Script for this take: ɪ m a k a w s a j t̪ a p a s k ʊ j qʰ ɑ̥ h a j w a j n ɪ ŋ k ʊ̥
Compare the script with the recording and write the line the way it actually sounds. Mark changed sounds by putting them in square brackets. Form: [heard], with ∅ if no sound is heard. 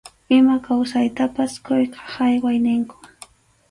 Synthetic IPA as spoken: ɪ m a k a w s a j t̪ a p a s k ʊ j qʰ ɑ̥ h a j w a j n ɪ ŋ k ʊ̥